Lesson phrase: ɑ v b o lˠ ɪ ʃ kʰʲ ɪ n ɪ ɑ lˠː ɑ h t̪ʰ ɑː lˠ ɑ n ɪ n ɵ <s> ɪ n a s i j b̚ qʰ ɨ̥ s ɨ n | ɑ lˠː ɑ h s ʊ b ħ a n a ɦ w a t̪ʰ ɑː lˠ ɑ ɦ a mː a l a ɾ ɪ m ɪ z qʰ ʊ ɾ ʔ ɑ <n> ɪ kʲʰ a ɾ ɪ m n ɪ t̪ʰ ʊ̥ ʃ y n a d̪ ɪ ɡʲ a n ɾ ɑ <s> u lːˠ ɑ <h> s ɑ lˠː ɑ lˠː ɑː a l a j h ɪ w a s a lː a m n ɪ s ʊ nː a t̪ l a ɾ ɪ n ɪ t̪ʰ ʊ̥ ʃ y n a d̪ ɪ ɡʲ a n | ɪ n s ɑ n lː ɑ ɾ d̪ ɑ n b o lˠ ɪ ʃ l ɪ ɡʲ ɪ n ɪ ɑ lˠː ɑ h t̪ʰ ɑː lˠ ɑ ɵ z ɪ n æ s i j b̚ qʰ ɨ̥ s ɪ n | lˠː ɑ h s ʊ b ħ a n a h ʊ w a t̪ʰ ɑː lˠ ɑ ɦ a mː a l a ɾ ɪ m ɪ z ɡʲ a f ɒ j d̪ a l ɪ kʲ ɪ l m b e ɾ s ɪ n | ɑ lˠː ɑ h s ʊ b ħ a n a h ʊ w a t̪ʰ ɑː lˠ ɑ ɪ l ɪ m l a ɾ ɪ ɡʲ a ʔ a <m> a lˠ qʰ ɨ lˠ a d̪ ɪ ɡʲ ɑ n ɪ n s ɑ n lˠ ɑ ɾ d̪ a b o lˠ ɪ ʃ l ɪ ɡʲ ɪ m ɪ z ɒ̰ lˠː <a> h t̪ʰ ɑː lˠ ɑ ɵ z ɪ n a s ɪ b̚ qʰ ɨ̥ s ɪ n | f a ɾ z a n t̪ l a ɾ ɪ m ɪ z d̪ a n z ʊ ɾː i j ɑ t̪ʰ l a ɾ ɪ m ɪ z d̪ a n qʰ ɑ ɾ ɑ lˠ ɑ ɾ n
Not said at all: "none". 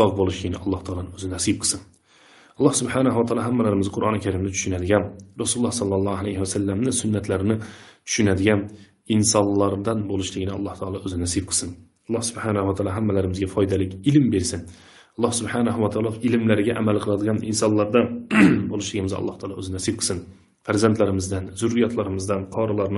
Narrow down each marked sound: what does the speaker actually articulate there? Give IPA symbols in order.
z, n, s, h, m, ɑ

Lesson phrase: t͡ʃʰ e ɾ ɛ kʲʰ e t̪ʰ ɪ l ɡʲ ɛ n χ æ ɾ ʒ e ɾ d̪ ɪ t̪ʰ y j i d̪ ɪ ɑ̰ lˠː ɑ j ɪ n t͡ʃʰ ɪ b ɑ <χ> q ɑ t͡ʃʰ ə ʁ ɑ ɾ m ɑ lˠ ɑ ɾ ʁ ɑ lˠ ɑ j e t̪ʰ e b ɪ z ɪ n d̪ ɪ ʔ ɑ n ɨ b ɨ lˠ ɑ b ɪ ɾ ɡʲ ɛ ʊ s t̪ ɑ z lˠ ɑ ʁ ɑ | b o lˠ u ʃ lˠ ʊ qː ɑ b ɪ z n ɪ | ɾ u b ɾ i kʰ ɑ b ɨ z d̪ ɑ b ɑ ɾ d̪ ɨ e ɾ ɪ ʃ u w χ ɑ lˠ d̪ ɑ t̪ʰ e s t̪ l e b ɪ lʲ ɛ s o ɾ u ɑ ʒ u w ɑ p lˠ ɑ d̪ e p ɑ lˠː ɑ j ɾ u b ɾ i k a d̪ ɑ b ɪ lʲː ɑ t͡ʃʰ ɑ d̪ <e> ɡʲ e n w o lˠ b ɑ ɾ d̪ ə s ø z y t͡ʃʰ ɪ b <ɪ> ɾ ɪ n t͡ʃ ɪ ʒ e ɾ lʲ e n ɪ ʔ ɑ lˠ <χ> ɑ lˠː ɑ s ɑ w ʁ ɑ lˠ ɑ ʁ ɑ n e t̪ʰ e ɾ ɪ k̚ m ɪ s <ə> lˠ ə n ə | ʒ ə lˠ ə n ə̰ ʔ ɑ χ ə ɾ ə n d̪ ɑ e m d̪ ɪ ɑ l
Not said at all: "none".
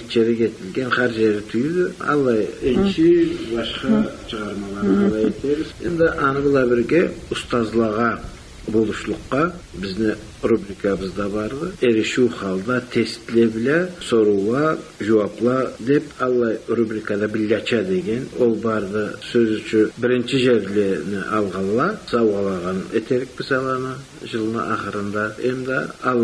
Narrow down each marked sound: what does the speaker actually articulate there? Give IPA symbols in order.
ʃ, e, ɪ, ʁ, ɑ

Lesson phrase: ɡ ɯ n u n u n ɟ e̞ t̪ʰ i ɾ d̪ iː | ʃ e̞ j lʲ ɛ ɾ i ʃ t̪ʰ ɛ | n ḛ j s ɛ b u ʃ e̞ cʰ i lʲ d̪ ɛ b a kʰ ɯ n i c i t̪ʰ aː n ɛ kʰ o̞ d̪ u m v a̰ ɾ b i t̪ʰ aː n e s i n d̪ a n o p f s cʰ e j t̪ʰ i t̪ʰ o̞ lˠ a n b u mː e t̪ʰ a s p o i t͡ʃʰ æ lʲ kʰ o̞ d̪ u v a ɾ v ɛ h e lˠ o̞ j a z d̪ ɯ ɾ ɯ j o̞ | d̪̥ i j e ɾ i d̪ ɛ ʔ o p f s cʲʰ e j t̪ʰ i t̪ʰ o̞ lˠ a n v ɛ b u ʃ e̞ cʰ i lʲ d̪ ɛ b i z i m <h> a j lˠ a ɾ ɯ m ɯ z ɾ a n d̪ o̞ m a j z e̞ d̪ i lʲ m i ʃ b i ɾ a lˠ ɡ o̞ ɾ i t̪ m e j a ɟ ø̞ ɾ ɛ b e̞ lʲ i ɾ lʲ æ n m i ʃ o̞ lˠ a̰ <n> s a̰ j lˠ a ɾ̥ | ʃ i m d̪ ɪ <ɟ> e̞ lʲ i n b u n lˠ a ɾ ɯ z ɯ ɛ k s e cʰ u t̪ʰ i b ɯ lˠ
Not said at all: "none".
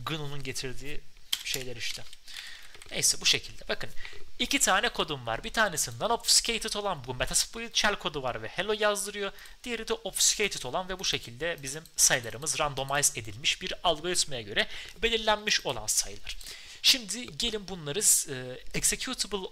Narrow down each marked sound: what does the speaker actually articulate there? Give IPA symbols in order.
s, n, ɟ

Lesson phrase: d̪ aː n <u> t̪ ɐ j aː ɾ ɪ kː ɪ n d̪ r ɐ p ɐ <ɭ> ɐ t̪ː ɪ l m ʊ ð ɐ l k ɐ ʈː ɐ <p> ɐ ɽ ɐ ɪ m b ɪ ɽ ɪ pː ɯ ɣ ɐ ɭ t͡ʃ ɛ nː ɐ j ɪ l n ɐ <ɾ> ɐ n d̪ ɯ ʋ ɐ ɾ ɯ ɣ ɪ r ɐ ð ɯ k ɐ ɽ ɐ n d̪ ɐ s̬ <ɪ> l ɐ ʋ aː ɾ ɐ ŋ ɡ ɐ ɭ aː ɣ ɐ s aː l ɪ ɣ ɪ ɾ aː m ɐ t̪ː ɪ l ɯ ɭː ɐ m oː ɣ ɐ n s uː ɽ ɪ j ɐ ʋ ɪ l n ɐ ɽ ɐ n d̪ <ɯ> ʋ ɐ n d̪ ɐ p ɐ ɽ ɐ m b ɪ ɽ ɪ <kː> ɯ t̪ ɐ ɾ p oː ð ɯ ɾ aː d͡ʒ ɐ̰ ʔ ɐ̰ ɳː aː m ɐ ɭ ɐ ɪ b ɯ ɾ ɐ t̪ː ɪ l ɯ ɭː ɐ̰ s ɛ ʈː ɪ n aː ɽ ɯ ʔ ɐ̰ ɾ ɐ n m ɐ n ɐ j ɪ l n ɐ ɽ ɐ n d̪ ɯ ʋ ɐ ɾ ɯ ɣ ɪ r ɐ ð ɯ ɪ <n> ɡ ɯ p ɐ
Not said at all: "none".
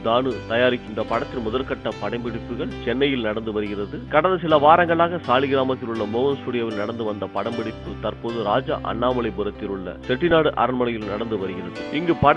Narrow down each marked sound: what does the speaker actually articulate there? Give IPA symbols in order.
ɯ, ɽ, p, ɽ, ɪ, ɯ, pː, ŋ

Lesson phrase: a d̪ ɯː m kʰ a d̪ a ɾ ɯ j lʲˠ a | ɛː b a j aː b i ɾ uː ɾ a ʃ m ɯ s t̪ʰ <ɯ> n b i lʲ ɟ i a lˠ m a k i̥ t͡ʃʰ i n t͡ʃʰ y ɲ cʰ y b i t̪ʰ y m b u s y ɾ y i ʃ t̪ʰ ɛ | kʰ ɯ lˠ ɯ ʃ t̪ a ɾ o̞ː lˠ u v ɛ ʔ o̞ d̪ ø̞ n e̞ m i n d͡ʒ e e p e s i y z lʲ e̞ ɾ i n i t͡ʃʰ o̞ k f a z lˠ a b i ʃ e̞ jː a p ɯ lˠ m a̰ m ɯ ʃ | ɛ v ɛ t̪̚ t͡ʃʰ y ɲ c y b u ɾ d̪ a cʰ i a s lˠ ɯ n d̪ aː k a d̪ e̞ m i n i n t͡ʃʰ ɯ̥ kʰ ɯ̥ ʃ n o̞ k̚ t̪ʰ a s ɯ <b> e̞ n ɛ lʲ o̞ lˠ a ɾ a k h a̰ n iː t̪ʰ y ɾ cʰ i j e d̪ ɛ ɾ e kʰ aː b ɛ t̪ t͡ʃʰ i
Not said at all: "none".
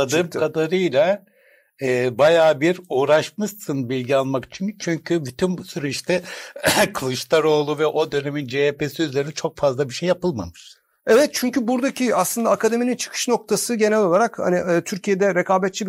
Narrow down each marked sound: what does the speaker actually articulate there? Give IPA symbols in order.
ɯ, ɟ

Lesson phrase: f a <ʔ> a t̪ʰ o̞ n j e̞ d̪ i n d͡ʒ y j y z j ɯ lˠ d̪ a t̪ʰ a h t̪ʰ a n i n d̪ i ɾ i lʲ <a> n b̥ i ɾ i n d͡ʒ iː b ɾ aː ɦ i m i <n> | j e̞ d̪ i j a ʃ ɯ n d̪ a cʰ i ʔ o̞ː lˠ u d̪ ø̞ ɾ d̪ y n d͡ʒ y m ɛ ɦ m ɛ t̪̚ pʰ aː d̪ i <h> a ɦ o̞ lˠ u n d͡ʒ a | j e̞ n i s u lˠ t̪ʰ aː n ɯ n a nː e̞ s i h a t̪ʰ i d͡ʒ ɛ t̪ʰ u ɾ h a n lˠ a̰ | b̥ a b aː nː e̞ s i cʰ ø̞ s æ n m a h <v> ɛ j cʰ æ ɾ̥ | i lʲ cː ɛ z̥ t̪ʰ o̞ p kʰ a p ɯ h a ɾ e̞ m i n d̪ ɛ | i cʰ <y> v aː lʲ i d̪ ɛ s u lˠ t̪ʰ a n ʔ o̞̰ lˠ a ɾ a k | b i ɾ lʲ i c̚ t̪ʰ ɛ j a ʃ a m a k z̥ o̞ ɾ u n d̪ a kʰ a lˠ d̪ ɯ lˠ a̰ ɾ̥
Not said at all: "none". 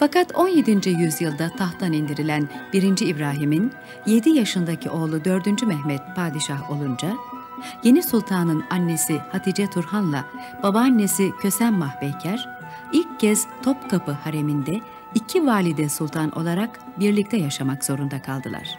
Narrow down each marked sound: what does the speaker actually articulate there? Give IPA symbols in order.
k, æ, n, ʃ, b, i

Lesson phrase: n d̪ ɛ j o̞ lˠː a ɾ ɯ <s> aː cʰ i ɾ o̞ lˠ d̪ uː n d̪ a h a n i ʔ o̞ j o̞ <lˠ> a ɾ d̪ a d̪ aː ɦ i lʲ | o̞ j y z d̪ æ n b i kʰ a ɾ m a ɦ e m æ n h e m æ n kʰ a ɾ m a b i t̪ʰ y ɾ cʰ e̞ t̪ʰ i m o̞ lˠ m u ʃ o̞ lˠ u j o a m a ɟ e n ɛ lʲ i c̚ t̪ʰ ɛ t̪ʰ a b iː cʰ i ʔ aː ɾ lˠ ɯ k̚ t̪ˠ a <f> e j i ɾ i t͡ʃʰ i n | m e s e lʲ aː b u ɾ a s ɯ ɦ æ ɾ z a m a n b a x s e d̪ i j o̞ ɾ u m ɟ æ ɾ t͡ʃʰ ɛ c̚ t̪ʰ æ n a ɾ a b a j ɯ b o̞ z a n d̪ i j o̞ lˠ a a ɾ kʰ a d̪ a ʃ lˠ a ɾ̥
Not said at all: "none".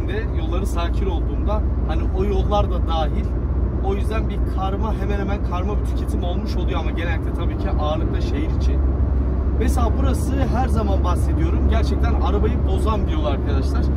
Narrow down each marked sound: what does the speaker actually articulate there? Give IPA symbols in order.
s, lˠː, ʃ

